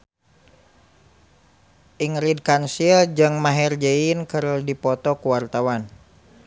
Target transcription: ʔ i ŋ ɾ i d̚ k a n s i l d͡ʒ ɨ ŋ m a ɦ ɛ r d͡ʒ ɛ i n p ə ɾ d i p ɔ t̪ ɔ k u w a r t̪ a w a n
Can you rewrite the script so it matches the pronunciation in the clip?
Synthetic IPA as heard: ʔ i ŋ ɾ i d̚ k a n s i l d͡ʒ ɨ ŋ m a ɦ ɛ r d͡ʒ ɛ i n k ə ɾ d i p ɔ t̪ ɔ k u w a r t̪ a w a n